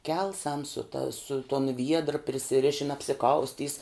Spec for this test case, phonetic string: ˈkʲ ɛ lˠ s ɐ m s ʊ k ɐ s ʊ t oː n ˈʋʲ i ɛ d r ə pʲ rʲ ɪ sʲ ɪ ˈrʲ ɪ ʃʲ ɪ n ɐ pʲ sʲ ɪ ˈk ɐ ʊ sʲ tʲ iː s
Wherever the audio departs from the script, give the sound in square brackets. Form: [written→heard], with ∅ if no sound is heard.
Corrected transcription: ˈkʲ ɛ lˠ s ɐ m s ʊ [k→t] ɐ s ʊ t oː n ˈʋʲ i ɛ d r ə pʲ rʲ ɪ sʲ ɪ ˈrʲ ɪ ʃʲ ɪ n ɐ pʲ sʲ ɪ ˈk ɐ ʊ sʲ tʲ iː s